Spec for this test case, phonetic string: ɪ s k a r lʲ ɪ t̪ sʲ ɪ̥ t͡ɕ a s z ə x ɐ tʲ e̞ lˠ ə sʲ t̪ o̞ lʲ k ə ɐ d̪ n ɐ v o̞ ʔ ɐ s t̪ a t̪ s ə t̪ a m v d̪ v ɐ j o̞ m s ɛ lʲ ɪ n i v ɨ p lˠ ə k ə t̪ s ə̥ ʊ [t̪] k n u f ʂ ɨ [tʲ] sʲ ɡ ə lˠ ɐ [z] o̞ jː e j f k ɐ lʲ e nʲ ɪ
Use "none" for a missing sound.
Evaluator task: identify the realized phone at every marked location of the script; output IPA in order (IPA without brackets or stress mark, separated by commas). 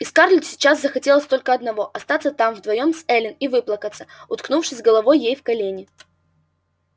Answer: t̪, none, v